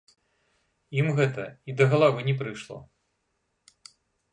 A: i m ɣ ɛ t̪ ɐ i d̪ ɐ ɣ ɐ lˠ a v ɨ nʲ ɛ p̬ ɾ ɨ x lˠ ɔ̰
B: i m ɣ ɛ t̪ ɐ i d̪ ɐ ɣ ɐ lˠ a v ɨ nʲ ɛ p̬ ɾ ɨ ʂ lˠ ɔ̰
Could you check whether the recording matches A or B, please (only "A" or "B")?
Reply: B